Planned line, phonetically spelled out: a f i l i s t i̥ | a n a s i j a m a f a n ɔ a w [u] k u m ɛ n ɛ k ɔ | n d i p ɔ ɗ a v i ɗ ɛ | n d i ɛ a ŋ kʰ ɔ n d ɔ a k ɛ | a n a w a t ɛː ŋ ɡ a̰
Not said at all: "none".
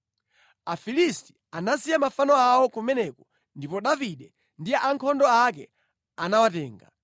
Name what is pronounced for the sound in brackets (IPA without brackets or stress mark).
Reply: ɔ